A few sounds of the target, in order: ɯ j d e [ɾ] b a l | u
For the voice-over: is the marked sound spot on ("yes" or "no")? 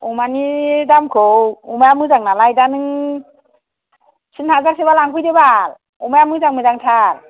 no